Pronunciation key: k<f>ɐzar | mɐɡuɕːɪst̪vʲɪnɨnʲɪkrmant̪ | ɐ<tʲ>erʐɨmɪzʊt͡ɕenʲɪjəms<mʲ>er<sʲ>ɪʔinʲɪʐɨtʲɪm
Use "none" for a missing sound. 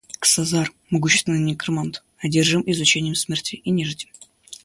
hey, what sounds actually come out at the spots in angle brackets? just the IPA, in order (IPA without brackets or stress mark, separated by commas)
s, dʲ, mʲ, tʲ